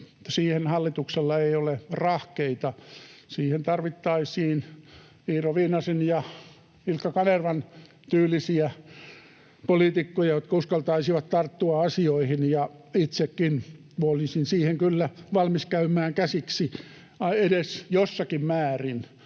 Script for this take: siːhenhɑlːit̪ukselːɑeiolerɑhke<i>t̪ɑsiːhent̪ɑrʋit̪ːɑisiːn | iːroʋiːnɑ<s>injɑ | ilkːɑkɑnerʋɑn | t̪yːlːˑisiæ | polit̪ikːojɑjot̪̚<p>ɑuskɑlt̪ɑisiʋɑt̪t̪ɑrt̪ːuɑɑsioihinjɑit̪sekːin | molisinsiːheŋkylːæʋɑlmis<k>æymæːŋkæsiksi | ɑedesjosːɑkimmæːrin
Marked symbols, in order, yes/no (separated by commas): yes, yes, no, yes